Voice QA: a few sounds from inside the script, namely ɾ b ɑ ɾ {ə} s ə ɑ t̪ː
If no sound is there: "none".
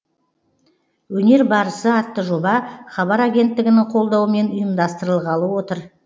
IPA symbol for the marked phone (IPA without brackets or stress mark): ə